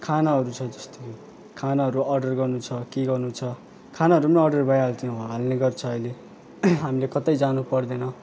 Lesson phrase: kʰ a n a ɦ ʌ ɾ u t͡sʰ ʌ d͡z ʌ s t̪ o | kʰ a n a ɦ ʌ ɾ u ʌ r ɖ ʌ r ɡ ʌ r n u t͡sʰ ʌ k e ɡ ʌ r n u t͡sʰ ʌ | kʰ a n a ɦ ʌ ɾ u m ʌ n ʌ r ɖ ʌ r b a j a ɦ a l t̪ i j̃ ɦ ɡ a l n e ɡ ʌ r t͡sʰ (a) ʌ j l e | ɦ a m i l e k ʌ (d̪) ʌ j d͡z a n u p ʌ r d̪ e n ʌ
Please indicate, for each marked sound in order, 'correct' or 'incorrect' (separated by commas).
incorrect, incorrect